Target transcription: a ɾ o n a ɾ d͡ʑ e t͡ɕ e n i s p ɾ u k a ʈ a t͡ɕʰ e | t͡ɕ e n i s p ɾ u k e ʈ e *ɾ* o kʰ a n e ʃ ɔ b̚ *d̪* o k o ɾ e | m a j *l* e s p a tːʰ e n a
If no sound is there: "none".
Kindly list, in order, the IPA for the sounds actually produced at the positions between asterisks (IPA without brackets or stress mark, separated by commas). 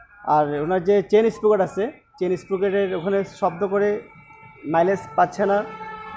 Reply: ɾ, d̪, l